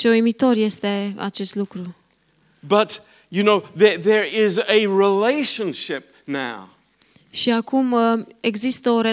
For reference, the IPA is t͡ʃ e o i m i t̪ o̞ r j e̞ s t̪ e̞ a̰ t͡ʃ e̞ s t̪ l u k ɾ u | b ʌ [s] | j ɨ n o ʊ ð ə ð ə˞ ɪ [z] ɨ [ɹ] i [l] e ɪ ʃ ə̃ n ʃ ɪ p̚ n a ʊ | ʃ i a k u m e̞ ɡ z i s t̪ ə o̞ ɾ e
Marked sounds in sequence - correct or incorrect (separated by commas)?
incorrect, correct, correct, correct